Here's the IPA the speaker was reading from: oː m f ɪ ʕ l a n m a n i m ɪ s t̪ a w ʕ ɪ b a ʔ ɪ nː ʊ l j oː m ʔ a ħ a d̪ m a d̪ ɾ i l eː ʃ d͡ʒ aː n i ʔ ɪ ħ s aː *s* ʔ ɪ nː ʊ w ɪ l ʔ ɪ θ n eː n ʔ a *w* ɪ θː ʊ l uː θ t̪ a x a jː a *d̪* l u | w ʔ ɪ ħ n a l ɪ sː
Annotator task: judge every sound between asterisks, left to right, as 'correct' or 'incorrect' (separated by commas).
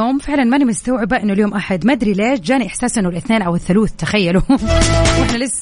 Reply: correct, correct, incorrect